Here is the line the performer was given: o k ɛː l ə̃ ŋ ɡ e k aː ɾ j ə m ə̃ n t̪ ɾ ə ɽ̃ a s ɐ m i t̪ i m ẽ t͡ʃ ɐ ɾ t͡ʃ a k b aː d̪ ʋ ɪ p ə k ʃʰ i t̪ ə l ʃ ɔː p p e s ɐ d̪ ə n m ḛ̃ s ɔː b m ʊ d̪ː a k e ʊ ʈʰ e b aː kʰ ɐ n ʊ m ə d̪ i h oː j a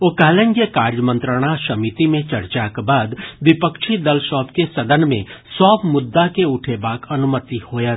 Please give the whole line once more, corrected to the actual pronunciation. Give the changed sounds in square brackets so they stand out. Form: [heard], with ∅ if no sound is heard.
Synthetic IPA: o k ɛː l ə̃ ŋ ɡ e k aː ɾ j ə m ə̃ n t̪ ɾ ə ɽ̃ a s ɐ m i t̪ i m ẽ t͡ʃ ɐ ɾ t͡ʃ a k b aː d̪ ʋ ɪ p ə k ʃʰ i [d̪] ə l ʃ ɔː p [k] e s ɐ d̪ ə n m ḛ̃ s ɔː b m ʊ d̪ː a k e ʊ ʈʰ e b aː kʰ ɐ n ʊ m ə [t̪] i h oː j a